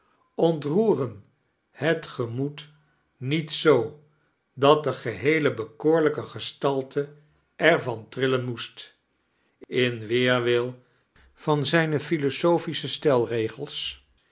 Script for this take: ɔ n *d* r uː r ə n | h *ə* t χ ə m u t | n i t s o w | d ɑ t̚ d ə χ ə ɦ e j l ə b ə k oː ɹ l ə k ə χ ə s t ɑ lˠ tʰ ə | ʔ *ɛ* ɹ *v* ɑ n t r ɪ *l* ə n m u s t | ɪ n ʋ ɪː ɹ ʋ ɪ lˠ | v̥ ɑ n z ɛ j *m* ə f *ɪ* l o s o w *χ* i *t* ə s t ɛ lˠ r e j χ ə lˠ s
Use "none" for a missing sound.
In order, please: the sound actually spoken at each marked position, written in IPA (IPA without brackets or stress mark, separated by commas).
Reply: t, ə, ɛ, v, l, n, i, f, s